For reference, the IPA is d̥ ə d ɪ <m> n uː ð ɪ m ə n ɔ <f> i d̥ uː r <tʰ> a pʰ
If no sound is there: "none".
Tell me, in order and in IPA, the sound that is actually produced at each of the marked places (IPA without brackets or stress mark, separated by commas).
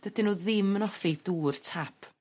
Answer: none, f, tʰ